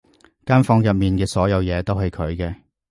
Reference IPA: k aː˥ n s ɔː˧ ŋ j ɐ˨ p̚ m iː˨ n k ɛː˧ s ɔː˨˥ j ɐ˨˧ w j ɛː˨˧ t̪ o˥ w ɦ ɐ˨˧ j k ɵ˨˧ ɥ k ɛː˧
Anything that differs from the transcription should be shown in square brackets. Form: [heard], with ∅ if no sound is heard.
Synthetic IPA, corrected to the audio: k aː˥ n [f] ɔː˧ ŋ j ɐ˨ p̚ m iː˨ n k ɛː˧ s ɔː˨˥ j ɐ˨˧ w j ɛː˨˧ t̪ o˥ w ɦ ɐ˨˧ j [kʰ] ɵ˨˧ ɥ k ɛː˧